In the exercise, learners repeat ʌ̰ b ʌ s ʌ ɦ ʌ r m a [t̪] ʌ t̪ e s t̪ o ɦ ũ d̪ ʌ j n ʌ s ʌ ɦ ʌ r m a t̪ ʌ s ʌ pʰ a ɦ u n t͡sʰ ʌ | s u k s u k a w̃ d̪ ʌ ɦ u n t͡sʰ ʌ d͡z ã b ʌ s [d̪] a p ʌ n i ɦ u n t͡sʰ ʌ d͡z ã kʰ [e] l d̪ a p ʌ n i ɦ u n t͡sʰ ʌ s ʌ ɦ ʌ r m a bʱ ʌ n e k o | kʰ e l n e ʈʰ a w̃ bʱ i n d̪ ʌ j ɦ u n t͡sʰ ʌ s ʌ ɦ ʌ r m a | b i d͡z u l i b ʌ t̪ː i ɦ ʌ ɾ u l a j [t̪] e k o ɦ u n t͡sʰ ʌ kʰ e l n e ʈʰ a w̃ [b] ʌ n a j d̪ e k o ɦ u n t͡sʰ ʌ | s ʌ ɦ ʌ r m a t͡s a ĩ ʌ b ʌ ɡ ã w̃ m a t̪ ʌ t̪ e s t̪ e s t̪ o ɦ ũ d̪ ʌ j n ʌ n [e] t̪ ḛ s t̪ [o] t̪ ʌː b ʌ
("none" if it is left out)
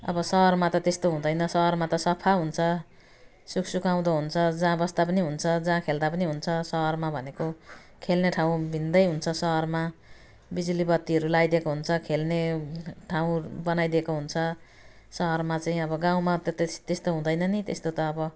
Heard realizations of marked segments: t̪, t̪, e, d̪, b, i, o

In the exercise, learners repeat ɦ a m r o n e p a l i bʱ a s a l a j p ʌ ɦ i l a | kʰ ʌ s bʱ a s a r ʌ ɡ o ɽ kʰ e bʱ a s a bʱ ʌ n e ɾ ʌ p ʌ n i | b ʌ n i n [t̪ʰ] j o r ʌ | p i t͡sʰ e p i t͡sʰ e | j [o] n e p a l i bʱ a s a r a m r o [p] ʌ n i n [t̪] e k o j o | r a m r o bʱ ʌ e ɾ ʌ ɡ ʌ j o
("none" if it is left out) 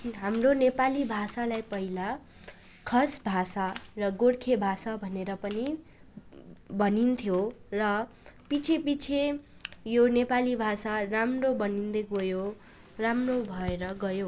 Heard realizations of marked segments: t̪ʰ, o, b, d̪

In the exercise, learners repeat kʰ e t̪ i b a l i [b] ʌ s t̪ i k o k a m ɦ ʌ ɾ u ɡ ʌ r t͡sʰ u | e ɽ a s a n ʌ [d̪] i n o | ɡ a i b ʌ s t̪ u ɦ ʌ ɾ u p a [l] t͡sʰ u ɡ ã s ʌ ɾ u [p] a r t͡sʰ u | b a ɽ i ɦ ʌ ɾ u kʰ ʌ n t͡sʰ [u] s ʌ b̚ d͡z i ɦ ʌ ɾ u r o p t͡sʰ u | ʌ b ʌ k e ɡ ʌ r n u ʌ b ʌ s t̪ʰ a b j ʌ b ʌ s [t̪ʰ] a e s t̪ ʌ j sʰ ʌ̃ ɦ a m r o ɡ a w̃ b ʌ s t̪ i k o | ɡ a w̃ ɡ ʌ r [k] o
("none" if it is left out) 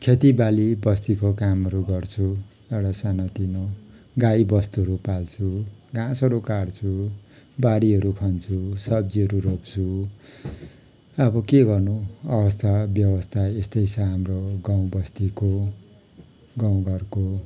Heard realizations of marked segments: b, t̪, l, k, u, t̪ʰ, k

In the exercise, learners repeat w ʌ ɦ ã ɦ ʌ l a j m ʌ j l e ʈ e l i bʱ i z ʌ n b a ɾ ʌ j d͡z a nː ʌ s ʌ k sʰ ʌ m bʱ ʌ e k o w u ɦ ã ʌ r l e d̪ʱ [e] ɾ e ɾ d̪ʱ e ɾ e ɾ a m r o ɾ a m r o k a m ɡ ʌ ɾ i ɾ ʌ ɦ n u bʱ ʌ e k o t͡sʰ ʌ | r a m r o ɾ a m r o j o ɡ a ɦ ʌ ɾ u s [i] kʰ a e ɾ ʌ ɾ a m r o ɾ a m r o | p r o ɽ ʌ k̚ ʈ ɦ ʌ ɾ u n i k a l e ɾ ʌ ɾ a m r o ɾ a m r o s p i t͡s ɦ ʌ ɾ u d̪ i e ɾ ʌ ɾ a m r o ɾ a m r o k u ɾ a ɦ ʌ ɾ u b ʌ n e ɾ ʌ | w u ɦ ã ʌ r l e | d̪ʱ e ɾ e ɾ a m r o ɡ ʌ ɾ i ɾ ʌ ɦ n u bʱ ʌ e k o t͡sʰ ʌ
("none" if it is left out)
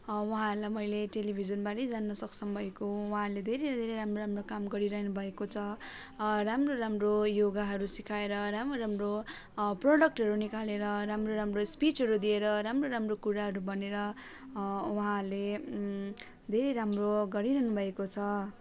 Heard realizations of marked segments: e, i

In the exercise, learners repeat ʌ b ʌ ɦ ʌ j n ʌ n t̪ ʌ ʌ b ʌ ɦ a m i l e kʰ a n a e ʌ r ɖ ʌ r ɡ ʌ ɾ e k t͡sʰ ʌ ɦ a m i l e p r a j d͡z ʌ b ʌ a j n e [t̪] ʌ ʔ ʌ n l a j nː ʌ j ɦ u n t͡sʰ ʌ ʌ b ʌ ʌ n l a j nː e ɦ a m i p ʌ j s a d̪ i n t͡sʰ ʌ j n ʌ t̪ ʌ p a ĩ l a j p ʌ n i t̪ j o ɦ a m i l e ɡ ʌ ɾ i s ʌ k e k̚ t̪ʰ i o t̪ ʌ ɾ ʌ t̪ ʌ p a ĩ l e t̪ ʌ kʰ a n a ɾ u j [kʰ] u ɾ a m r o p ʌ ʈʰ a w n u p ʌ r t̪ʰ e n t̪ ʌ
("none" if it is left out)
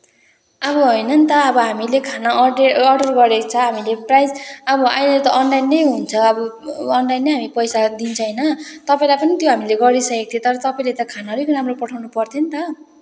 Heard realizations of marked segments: t̪, k

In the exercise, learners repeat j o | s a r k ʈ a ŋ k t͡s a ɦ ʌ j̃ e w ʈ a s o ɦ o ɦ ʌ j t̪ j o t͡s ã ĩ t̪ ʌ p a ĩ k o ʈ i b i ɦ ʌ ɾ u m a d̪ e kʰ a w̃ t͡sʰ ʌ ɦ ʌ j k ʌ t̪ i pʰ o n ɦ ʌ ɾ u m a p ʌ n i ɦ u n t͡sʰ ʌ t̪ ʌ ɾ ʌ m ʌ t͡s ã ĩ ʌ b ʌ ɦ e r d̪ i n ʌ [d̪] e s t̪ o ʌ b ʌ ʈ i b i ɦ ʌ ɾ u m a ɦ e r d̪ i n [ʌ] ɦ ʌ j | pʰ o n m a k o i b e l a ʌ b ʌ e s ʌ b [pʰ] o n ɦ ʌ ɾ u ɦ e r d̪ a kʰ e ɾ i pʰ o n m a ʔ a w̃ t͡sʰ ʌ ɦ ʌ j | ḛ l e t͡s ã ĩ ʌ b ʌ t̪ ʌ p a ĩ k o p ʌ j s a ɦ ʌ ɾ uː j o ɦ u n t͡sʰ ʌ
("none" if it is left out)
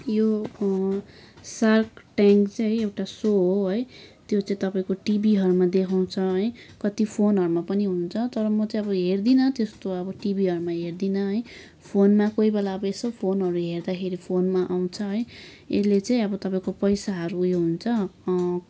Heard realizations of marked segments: t̪, ʌ, pʰ

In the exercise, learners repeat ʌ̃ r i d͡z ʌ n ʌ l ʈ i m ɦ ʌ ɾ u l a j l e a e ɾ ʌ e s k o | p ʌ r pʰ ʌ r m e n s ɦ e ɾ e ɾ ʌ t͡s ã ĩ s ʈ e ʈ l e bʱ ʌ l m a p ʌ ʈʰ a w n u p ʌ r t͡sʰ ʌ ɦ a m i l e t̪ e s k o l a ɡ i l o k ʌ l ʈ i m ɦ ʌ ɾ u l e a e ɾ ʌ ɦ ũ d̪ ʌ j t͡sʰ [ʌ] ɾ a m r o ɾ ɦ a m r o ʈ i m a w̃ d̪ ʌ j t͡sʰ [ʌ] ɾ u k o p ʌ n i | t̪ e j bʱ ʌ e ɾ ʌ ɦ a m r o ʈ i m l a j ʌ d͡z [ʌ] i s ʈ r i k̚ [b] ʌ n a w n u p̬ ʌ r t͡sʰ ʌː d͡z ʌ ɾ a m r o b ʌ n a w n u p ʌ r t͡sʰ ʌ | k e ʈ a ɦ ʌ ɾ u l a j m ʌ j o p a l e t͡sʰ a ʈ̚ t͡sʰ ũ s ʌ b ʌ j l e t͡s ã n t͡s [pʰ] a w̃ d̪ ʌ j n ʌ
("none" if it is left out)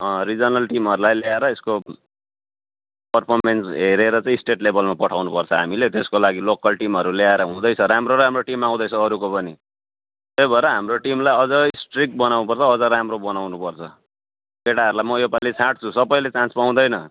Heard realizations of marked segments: ʌ, ʌː, ʌ, b, p

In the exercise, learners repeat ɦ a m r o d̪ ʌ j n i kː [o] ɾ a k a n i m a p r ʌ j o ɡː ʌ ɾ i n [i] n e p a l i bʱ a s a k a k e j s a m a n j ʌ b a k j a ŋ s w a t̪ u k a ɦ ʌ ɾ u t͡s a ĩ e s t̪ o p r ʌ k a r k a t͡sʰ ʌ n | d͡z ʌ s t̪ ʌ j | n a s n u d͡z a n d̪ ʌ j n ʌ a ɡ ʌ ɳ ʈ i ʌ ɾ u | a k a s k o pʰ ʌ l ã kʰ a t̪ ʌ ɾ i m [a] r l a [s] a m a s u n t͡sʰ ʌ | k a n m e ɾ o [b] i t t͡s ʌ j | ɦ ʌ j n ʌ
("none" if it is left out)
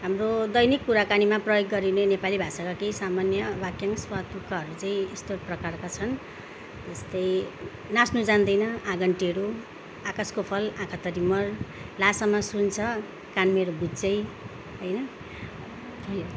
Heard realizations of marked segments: u, e, ʌ, s, b

